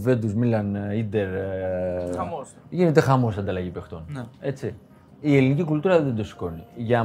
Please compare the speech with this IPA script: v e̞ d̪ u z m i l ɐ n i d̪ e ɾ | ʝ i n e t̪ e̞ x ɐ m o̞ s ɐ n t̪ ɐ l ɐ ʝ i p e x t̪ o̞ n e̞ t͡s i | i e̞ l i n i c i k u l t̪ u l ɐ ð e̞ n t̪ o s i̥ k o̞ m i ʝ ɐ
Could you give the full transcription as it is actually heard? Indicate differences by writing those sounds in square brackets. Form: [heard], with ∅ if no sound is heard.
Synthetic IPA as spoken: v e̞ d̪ u z m i l ɐ n i d̪ e ɾ | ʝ i n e t̪ e̞ x ɐ m o̞ s ɐ n [d̪] ɐ l ɐ ʝ i p e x t̪ o̞ n e̞ t͡s i | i e̞ l i n i c i k u l t̪ u [ɾ] ɐ ð e̞ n [d̪] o s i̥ k o̞ [n] i ʝ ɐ